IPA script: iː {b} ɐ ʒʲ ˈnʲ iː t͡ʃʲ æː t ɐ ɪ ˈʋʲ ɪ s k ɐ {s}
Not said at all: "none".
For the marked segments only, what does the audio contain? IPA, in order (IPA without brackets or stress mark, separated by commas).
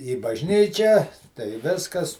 b, s